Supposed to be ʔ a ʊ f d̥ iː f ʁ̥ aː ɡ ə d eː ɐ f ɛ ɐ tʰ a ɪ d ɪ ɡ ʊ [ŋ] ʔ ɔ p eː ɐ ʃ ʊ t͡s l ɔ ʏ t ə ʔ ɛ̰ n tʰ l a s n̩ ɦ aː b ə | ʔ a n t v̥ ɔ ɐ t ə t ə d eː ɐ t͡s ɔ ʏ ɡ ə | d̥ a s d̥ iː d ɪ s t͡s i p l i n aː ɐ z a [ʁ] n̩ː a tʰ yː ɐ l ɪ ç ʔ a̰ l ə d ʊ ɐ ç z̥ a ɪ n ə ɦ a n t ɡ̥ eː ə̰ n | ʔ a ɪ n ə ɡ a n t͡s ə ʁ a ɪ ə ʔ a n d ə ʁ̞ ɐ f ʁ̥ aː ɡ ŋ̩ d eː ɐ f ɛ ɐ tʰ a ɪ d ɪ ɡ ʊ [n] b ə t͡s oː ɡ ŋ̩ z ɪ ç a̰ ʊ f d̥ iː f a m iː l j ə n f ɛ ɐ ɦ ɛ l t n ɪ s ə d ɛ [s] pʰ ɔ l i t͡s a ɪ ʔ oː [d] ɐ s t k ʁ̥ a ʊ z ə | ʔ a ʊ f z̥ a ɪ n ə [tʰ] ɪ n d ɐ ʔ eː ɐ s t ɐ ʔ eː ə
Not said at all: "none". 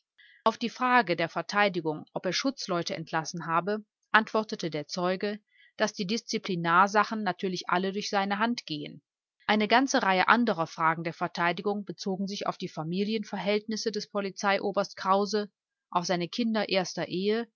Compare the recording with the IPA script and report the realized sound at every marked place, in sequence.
ŋ, χ, ŋ, s, b, kʰ

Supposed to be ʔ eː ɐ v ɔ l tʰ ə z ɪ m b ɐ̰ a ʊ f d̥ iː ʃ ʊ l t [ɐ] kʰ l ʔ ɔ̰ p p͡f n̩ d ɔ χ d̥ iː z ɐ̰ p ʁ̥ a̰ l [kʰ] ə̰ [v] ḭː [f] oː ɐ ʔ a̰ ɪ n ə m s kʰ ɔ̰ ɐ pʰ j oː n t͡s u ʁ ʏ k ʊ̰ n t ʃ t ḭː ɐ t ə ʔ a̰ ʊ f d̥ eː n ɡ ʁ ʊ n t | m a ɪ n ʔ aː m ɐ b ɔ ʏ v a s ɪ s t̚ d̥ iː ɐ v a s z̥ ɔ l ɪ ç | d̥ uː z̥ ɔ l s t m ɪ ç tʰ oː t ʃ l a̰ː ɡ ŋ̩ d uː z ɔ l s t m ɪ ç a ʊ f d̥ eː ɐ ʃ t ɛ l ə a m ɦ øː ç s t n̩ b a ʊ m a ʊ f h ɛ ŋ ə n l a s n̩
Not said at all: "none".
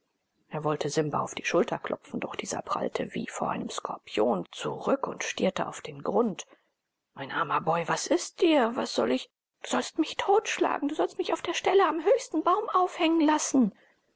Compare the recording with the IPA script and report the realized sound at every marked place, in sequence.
ɐ, tʰ, v, f

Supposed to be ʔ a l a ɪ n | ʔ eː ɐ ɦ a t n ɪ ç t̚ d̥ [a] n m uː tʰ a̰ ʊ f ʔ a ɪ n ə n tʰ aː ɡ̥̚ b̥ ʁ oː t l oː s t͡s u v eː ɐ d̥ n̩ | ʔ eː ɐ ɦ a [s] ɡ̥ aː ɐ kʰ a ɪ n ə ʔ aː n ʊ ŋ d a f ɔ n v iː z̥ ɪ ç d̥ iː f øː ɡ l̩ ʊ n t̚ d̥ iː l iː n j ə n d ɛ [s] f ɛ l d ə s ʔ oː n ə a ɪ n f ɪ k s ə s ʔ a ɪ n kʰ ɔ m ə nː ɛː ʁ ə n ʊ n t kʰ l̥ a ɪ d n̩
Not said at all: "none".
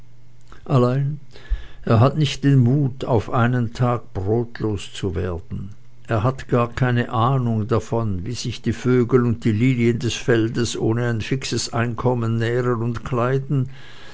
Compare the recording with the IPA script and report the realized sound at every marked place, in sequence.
e, t, s

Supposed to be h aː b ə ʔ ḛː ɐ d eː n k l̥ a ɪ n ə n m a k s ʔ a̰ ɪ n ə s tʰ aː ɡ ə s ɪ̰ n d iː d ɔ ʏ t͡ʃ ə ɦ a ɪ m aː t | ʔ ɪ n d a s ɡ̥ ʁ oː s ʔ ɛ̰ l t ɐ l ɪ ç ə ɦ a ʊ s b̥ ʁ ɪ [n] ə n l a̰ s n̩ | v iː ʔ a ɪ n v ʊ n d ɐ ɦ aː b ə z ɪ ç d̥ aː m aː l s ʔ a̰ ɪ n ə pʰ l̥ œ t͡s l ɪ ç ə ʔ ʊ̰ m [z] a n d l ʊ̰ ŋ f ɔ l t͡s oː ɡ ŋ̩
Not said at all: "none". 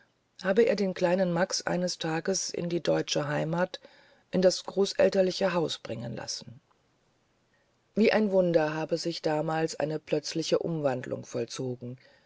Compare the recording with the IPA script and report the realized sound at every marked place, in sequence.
ŋ, v

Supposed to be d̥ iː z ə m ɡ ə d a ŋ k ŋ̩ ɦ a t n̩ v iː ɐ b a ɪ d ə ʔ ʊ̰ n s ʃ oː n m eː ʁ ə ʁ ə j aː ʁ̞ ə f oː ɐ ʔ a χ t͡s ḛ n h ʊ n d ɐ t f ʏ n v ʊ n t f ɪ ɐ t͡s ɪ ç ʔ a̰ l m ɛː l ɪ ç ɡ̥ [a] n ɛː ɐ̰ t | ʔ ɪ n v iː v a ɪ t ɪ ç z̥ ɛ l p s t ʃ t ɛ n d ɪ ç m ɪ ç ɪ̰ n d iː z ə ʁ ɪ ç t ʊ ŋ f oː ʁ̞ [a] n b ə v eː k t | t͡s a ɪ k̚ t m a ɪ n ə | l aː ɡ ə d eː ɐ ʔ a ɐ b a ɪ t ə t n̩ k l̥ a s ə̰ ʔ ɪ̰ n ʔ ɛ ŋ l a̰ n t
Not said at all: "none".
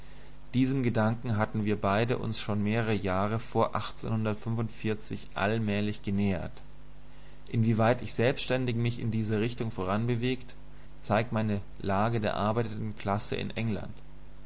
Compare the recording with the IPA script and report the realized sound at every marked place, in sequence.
ə, a

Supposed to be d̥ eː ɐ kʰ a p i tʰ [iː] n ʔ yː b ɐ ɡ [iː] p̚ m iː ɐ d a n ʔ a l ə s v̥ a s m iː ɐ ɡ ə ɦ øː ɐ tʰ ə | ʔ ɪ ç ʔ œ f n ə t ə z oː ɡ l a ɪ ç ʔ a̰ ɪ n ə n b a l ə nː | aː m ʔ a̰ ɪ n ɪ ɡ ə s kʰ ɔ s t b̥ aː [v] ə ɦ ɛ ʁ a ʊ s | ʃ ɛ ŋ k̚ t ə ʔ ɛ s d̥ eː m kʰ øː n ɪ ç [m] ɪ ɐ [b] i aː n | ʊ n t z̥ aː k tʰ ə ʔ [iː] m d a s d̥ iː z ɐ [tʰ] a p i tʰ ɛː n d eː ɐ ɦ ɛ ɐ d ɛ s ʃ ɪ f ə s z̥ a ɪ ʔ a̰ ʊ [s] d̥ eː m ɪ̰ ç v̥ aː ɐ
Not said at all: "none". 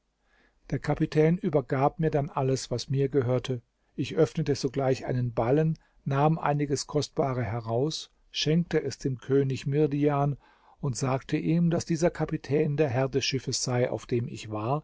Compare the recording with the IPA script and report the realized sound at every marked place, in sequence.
ɛː, aː, ʁ, m, d, iː, kʰ, f

